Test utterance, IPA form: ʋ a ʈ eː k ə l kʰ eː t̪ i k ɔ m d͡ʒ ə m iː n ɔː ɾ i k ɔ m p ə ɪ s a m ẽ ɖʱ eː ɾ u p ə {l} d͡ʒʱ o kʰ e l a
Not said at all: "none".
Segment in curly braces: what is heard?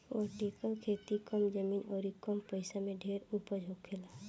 none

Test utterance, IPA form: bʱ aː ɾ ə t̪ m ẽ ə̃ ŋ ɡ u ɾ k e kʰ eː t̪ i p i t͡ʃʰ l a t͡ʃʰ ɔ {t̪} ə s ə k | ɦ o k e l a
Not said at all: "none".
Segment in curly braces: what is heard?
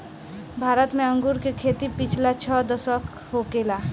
d̪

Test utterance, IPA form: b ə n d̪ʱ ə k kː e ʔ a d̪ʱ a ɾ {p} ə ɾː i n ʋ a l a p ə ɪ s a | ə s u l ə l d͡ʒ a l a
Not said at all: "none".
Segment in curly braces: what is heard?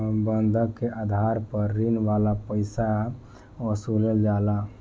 p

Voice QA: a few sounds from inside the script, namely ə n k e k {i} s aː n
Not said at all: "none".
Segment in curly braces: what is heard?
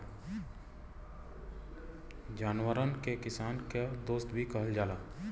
ɪ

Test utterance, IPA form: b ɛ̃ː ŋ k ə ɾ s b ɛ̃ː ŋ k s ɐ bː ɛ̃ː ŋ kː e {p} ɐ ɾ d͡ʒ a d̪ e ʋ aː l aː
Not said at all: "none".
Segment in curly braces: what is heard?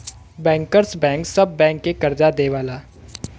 k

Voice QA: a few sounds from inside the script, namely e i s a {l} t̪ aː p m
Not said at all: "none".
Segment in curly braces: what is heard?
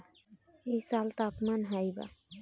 l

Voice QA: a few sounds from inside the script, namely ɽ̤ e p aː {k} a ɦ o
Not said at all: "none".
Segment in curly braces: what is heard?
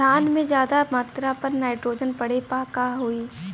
k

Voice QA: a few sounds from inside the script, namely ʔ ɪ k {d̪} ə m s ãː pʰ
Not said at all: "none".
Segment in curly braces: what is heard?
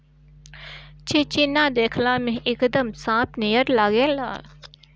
d̪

